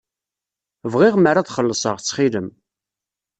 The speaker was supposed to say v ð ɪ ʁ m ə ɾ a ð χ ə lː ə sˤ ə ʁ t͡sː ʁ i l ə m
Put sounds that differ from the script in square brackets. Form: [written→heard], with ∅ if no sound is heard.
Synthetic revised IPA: v [ð→ʁ] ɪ ʁ m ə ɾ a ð χ ə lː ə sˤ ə ʁ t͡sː [ʁ→χ] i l ə m